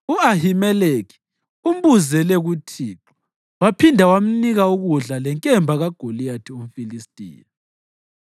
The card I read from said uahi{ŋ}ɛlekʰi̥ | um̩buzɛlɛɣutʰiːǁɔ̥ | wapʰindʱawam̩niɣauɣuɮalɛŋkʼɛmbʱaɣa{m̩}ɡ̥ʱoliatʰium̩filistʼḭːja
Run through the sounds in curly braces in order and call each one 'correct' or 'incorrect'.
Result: incorrect, incorrect

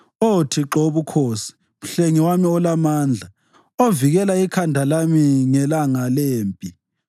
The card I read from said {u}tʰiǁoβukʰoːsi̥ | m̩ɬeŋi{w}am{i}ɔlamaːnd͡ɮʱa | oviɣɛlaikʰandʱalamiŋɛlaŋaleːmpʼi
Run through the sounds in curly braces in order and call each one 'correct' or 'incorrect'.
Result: incorrect, correct, correct

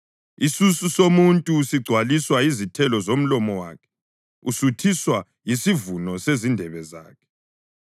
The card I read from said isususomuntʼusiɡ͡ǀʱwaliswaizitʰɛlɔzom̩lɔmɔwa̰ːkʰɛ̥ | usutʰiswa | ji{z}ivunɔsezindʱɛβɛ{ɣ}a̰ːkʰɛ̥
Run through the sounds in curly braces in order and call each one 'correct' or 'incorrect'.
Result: incorrect, incorrect

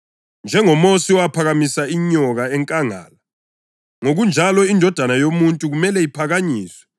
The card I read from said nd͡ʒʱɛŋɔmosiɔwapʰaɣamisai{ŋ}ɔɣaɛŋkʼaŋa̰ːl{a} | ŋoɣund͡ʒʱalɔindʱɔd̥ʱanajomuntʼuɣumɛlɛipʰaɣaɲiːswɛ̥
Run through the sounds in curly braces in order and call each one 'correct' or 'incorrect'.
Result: incorrect, correct

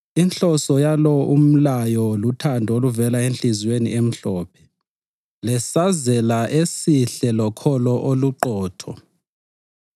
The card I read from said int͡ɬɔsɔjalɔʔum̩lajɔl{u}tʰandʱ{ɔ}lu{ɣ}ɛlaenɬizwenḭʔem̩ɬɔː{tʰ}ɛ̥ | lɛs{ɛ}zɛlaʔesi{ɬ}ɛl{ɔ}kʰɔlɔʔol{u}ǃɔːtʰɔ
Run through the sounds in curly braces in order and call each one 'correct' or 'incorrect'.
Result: correct, incorrect, incorrect, incorrect, incorrect, correct, correct, correct

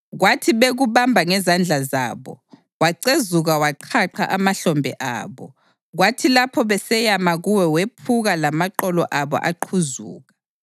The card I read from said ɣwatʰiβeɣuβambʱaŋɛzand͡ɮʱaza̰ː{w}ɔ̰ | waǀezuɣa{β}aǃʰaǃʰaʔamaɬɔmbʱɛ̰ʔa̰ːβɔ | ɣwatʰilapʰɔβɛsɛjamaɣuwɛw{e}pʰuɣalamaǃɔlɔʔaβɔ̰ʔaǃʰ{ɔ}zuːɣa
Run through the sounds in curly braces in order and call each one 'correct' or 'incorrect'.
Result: incorrect, incorrect, correct, incorrect

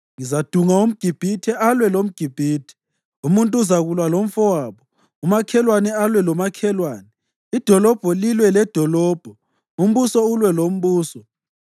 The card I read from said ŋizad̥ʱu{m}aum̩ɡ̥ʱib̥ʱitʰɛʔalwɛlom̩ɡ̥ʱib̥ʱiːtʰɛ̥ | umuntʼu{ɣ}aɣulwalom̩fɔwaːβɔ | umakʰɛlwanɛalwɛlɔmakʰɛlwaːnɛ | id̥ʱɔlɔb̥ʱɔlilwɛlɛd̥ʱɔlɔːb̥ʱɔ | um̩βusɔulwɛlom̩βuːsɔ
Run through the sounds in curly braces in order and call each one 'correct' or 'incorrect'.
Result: incorrect, incorrect

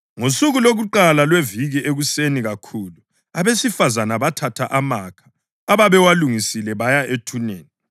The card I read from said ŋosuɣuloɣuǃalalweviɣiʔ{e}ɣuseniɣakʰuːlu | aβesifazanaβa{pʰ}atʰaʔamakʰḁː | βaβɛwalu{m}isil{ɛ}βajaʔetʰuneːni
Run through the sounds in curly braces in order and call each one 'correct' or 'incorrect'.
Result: correct, incorrect, incorrect, correct

